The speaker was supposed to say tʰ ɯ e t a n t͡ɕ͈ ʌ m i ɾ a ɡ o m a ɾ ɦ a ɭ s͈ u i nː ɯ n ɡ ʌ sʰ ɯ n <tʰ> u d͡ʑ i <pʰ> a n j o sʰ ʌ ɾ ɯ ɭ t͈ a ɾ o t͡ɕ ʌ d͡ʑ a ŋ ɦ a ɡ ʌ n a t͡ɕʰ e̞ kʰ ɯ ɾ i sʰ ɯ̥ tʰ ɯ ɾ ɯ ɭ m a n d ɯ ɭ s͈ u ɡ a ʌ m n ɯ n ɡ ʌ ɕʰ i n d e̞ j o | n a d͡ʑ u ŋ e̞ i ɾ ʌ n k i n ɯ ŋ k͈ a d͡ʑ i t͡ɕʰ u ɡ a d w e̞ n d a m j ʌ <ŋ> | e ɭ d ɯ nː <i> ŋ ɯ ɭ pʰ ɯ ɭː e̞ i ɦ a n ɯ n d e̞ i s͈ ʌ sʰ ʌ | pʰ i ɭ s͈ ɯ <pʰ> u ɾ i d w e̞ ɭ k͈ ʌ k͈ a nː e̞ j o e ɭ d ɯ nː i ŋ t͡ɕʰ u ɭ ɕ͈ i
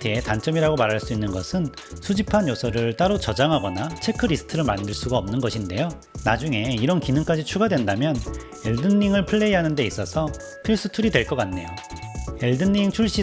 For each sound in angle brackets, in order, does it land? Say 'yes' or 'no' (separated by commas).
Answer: no, yes, no, yes, no